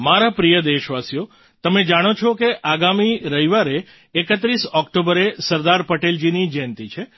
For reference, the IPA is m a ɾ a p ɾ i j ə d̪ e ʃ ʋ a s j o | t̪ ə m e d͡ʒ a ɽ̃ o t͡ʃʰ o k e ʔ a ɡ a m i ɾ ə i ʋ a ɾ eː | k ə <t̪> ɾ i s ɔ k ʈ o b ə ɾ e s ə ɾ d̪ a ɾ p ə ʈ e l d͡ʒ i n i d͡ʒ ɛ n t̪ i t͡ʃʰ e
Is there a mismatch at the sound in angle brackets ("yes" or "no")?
no